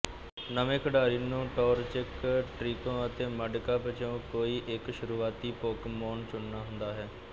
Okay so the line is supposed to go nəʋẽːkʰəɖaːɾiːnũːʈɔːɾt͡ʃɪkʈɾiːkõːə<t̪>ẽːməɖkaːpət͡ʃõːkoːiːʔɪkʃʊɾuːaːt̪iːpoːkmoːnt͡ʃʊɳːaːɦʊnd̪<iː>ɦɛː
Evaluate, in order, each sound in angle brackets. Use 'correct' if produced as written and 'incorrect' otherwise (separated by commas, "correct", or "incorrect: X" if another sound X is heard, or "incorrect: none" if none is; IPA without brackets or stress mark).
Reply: correct, incorrect: aː